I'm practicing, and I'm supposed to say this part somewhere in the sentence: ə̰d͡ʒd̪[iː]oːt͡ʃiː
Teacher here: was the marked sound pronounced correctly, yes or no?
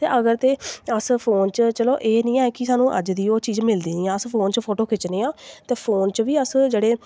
yes